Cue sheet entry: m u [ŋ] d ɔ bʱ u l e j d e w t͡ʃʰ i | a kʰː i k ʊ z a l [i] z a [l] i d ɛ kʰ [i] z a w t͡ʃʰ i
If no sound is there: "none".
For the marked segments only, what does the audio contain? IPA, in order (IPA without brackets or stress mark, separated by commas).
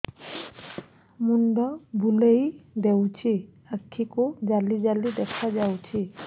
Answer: n, i, l, a